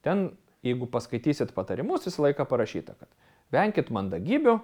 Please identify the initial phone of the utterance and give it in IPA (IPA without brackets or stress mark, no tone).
t̪ʲ